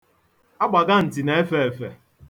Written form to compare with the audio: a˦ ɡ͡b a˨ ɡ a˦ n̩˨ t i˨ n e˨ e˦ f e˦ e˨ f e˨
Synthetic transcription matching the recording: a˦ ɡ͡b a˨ ɡ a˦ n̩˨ t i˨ n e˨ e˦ f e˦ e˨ f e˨